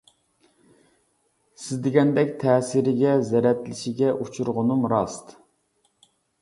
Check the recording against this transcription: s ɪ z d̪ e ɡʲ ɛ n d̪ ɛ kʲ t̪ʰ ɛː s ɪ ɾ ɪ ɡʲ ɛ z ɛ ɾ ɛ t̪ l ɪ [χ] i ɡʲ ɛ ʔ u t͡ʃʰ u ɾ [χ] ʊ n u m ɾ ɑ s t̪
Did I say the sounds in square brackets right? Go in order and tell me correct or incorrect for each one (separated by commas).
incorrect, incorrect